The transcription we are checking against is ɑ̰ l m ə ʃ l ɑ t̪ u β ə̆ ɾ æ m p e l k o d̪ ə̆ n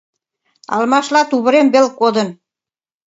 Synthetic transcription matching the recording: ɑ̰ l m ɑ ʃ l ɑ t̪ u β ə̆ ɾ e m b e l k o d̪ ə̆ n